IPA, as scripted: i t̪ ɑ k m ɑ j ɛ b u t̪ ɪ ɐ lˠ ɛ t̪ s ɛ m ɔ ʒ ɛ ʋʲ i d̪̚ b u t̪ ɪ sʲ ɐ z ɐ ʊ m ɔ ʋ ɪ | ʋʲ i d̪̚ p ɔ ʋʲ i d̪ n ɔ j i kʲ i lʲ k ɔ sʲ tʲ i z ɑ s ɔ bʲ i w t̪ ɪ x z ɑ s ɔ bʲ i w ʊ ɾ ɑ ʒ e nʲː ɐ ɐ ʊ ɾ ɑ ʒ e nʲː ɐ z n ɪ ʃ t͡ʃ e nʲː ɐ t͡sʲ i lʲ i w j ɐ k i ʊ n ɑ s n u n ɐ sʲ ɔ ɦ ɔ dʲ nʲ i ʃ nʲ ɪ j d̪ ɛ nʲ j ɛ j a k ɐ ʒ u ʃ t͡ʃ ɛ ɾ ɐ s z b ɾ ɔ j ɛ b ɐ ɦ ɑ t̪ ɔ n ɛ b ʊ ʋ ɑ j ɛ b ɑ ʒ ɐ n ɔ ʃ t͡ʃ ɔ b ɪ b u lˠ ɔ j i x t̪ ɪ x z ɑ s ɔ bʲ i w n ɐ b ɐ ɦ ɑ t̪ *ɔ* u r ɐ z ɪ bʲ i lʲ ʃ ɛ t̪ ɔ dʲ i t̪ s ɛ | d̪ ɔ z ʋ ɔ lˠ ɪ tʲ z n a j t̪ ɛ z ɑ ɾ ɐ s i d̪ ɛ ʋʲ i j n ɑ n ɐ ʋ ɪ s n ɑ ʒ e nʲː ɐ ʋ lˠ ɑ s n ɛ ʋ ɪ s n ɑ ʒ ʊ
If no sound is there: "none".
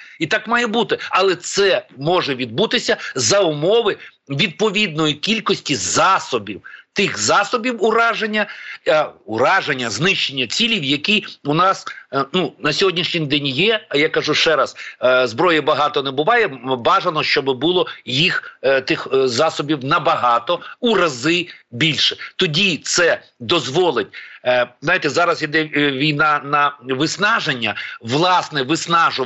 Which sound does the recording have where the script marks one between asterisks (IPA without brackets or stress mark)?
ɔ